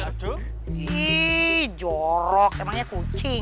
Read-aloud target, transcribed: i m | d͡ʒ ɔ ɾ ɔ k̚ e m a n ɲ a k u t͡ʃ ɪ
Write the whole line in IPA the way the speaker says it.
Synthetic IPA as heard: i | d͡ʒ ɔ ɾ ɔ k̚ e m a ŋ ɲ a k u t͡ʃ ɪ